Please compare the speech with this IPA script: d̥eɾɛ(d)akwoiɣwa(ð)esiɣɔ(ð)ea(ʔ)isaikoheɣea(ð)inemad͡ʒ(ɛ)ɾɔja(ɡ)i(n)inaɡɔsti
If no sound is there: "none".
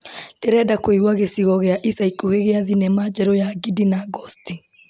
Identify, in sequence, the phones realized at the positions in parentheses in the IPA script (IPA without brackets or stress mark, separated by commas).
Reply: d, ɣ, ɣ, ʔ, ð, ɛ, ɡ, d